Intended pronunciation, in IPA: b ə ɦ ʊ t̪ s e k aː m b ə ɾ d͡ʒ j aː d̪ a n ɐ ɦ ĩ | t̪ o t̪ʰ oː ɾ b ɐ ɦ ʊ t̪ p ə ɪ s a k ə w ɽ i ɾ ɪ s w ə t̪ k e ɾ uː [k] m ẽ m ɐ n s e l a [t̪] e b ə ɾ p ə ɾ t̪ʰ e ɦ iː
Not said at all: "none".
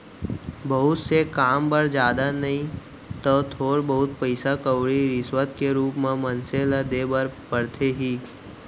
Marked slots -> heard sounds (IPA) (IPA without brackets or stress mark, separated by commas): p, d̪